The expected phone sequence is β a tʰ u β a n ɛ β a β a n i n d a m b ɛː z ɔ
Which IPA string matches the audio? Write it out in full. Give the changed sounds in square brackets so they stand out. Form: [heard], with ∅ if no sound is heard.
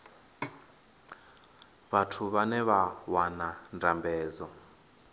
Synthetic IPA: β a tʰ u β a n ɛ β a [w] a n [a] n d a m b ɛː z ɔ